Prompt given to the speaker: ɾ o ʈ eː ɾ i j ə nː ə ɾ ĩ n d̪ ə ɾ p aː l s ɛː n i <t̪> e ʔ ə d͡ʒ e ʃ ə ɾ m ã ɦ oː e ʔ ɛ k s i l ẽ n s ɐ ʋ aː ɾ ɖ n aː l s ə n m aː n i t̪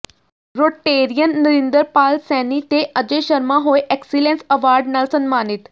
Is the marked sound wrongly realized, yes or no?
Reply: no